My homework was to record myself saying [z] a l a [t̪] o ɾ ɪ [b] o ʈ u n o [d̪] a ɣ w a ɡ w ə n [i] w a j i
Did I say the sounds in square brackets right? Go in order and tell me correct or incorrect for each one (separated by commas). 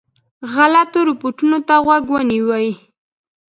incorrect, correct, incorrect, incorrect, correct